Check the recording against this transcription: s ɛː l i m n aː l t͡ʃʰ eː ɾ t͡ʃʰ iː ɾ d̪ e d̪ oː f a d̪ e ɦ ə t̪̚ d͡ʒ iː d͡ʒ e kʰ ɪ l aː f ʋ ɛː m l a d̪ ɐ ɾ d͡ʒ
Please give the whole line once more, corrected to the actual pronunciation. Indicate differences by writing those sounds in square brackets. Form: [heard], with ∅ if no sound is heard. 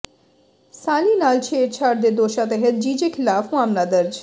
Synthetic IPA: s [aː] l i [∅] n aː l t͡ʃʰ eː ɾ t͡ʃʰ [aː] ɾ d̪ e d̪ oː [ʃ] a [t̪] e ɦ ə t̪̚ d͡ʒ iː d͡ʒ e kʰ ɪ l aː f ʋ [aː] m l a d̪ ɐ ɾ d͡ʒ